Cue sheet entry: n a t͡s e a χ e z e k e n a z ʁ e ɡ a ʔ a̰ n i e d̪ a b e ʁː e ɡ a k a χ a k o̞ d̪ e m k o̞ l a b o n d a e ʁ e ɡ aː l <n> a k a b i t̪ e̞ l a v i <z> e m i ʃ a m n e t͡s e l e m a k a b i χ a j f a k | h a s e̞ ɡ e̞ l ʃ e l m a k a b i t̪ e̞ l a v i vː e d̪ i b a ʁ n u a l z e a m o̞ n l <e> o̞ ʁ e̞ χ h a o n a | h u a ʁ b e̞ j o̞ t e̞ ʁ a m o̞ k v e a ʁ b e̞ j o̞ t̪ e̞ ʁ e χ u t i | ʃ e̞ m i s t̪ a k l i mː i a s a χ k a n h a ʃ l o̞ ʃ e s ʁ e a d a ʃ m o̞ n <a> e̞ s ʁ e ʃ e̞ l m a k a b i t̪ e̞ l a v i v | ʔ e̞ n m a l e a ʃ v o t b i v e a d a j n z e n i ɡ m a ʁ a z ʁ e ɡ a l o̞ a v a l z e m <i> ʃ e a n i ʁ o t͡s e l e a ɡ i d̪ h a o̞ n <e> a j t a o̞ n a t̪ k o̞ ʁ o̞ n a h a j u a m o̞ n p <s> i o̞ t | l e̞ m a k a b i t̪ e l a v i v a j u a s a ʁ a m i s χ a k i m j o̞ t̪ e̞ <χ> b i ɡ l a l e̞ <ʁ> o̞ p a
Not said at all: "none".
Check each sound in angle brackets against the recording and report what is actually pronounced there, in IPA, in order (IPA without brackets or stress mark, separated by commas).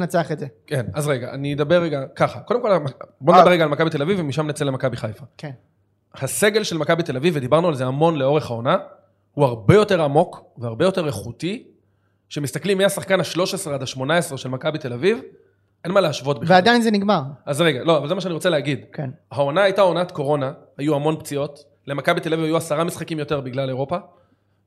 m, v, e, a, a, a, t͡s, ʁ, ʁ